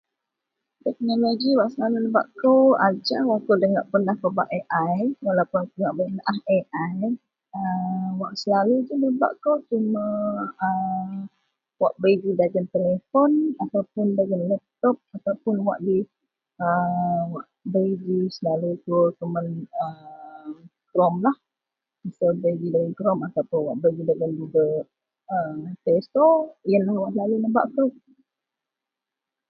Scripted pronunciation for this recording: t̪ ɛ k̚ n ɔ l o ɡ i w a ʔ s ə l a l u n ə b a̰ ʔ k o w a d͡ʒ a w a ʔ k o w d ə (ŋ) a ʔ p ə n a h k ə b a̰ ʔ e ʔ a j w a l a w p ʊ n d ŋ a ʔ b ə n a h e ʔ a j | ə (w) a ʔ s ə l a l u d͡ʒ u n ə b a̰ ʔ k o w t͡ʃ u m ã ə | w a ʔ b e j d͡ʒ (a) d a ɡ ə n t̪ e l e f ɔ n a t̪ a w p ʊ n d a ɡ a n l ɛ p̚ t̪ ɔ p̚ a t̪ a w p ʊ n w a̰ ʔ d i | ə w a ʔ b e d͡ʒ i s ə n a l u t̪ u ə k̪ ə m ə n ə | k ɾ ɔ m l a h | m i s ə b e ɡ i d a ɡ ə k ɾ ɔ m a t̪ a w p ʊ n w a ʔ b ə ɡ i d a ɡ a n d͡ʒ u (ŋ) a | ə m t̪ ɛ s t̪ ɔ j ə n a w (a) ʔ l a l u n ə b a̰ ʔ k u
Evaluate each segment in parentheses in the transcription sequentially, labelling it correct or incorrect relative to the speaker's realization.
correct, correct, incorrect: i, incorrect: ɡ, correct

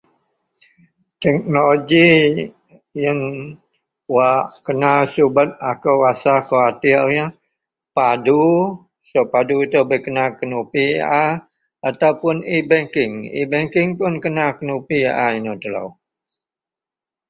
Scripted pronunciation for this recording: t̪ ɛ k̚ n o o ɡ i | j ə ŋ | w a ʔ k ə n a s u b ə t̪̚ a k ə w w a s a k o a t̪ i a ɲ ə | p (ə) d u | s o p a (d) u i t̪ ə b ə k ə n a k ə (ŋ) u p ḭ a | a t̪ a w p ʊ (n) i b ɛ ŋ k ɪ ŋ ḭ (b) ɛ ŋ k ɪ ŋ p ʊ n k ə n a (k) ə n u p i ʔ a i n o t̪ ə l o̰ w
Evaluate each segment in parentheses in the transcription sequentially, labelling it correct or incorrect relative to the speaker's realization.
incorrect: a, correct, incorrect: n, correct, correct, correct

